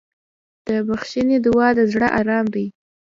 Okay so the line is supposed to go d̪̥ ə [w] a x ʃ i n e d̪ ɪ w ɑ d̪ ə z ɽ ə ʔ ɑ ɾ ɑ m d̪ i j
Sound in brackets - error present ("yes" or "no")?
yes